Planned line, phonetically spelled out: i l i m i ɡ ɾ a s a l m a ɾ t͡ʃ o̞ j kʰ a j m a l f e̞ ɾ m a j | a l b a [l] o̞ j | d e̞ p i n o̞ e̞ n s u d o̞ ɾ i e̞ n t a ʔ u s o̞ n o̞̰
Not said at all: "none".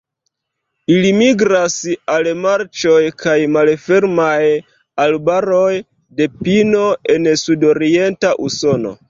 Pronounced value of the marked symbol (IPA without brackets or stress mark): ɾ